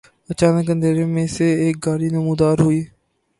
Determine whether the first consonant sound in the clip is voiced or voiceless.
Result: voiceless